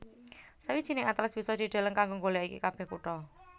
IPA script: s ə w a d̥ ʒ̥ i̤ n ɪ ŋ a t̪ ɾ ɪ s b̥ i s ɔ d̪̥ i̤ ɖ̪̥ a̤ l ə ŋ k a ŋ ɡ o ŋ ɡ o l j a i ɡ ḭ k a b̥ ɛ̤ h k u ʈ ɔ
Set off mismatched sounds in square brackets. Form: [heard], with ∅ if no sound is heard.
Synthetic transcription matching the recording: s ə w [i] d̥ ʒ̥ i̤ n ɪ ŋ a t̪ [l] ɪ s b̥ i s ɔ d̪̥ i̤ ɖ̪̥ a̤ l ə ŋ k a ŋ ɡ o ŋ ɡ o l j a i [k] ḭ k a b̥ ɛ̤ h k u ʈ ɔ